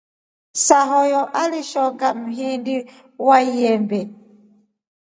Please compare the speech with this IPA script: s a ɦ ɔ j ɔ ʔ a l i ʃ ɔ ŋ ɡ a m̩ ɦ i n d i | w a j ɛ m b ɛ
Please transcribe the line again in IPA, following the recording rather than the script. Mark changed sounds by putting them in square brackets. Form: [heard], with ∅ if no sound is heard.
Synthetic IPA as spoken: s a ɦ ɔ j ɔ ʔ a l i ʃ ɔ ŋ ɡ a m̩ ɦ i n d i | w a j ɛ m b ɛ